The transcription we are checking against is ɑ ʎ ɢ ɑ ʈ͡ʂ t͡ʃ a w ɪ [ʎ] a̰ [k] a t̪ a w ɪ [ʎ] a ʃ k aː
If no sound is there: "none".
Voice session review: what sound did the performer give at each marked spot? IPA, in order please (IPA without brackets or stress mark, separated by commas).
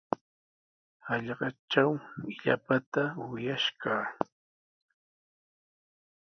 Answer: ʎ, p, j